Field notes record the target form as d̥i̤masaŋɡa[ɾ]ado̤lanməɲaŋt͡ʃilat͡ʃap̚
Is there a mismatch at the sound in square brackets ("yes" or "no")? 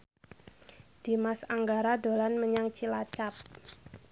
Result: no